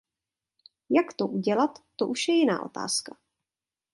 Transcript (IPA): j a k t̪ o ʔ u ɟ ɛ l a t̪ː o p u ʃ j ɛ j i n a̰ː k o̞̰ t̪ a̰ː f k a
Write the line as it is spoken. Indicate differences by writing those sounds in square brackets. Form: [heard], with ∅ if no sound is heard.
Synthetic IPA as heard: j a k t̪ o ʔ u ɟ ɛ l a t̪ː o [ʔ] u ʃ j ɛ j [ɪ] n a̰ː [ʔ] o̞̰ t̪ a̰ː [s] k a